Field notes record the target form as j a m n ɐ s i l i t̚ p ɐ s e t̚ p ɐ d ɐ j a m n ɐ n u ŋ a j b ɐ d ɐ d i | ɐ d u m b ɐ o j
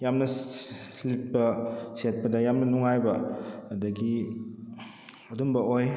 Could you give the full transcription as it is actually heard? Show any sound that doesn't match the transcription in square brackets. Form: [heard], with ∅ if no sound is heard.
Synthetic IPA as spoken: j a m n ɐ s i l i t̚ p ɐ s e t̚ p ɐ d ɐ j a m n ɐ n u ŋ a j b ɐ d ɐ [ɡ] i | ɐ d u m b ɐ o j